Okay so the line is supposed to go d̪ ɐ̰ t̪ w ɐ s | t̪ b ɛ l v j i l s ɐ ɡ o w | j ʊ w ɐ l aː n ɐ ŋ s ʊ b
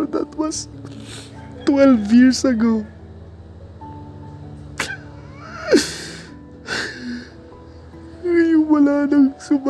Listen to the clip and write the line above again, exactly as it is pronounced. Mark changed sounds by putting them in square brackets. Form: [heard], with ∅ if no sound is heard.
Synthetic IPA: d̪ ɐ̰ t̪ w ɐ s | t̪ [w] ɛ l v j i [ɹ] s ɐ ɡ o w | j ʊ w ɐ l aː n ɐ ŋ s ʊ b